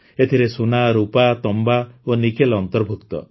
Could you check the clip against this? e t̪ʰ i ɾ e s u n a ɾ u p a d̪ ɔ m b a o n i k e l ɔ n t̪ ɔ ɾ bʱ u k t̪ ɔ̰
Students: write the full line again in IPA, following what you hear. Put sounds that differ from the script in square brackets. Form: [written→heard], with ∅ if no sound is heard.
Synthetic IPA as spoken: e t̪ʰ i ɾ e s u n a ɾ u p a [d̪→t̪] ɔ m b a o n i k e l ɔ n t̪ ɔ ɾ bʱ u k t̪ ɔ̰